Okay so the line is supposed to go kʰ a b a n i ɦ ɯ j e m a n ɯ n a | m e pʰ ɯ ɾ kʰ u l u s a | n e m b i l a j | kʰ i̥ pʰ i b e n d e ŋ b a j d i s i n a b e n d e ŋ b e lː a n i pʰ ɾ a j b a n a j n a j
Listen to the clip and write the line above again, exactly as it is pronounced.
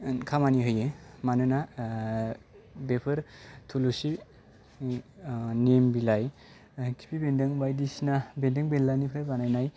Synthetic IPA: kʰ a m a n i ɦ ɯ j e m a n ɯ n a | b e pʰ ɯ ɾ tʰ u l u s i | n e m b i l a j | kʰ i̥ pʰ i b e n d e ŋ b a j d i s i n a b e n d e ŋ b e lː a n i pʰ ɾ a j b a n a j n a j